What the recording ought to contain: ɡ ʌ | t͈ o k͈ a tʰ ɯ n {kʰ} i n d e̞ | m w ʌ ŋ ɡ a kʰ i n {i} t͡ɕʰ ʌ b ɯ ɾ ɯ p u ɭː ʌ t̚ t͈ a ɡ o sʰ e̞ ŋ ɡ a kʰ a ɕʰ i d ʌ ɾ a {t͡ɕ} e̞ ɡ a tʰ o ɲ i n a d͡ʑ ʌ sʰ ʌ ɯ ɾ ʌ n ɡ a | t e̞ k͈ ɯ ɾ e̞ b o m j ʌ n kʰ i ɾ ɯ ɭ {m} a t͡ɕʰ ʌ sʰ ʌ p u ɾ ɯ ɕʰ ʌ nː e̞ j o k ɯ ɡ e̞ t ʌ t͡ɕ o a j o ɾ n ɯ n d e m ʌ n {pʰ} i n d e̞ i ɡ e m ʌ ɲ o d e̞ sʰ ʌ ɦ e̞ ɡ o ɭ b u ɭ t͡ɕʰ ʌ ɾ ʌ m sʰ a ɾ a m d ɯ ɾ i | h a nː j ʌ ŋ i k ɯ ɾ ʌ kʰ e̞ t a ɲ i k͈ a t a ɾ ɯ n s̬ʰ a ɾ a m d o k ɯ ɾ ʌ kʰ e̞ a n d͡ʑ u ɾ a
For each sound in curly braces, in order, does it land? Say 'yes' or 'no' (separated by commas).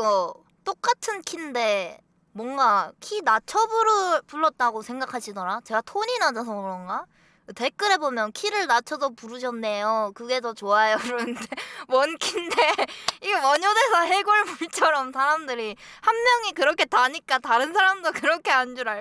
yes, no, yes, no, no